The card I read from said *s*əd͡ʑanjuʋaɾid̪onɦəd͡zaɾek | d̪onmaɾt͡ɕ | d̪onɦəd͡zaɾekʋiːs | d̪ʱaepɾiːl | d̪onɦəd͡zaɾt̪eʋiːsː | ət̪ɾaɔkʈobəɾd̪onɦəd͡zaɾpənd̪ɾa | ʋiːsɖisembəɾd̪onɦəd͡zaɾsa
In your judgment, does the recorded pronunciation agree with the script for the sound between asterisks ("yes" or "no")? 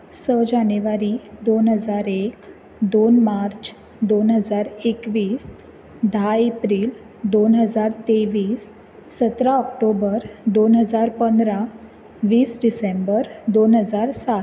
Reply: yes